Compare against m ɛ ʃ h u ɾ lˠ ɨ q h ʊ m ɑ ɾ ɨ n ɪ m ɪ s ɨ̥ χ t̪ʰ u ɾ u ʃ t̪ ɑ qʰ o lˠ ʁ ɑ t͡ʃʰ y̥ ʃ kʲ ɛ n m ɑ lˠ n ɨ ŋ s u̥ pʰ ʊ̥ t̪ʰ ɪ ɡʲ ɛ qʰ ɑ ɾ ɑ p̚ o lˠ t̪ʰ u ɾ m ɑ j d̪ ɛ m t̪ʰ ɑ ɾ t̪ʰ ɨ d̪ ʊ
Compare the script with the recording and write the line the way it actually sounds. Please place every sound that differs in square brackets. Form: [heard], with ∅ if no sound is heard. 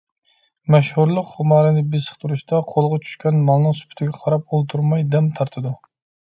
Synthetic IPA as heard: m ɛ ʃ h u ɾ lˠ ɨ q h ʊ m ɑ ɾ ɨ n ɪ [b] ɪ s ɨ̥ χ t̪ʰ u ɾ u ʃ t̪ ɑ qʰ o lˠ ʁ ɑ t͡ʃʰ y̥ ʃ kʲ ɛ n m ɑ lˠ n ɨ ŋ s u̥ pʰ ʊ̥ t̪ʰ ɪ ɡʲ ɛ qʰ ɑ ɾ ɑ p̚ o lˠ t̪ʰ u ɾ m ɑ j d̪ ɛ m t̪ʰ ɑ ɾ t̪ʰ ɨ d̪ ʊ